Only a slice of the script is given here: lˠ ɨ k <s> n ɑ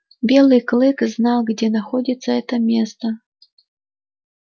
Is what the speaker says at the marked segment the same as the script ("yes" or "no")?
no